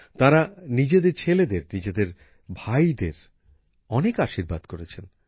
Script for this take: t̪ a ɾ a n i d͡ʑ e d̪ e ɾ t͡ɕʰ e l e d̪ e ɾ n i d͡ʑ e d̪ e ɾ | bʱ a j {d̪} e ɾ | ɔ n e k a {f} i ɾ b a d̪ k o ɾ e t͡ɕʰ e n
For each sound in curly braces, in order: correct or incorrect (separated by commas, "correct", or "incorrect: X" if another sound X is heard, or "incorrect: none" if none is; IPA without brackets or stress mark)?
correct, incorrect: ʃ